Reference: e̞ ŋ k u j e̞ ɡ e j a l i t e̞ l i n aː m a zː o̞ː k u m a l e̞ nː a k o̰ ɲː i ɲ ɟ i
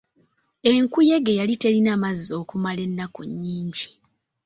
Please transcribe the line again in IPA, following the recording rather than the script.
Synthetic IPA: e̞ ŋ k u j e̞ ɡ e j a l i t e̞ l i n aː m a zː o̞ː k u m a l e̞ nː a k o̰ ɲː iː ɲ ɟ i